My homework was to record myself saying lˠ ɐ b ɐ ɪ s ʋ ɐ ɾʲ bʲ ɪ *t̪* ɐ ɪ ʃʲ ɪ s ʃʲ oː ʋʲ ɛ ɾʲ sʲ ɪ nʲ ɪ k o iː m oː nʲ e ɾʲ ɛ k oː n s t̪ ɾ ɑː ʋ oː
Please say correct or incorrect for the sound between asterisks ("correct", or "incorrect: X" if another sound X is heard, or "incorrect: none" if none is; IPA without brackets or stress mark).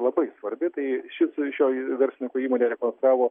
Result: correct